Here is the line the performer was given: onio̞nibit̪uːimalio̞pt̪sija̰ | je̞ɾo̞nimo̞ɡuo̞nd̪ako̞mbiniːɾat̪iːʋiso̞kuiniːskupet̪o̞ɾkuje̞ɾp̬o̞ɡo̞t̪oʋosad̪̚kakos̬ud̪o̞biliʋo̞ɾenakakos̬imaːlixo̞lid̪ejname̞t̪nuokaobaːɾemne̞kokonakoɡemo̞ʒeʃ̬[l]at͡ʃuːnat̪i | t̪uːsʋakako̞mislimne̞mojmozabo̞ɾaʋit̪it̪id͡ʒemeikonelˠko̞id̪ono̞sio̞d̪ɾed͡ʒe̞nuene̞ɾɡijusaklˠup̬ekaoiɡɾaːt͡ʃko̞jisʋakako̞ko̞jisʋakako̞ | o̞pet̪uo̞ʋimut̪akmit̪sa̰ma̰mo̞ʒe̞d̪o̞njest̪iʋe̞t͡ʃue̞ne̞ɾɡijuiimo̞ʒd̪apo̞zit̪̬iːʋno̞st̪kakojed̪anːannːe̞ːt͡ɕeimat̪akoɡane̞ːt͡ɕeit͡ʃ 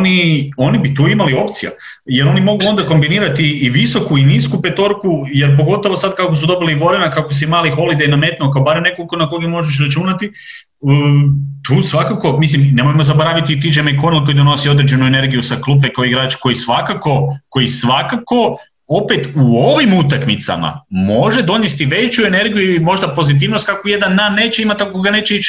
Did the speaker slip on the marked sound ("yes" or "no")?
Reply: yes